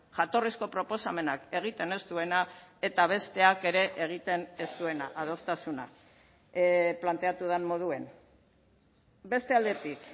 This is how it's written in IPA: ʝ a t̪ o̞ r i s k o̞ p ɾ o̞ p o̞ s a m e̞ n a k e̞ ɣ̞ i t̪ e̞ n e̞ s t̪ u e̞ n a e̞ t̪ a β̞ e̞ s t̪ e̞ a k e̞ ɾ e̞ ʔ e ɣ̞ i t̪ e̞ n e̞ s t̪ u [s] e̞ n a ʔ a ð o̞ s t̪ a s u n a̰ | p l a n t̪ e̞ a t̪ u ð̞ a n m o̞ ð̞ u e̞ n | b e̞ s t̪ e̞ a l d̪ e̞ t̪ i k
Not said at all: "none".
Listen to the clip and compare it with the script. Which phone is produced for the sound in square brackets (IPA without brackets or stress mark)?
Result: none